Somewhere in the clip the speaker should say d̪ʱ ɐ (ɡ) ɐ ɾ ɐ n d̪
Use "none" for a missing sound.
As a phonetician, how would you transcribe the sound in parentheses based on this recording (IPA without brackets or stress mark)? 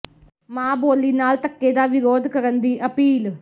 k